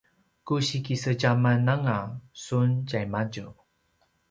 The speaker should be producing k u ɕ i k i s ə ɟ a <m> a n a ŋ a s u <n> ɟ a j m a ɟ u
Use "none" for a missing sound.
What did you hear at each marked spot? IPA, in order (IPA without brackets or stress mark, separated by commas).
m, n